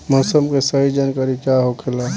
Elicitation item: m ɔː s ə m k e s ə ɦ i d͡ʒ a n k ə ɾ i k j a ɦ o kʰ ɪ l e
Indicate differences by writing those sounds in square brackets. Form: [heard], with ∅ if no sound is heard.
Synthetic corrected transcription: m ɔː s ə m k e s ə ɦ i d͡ʒ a n k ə ɾ i k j a ɦ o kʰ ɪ l [a]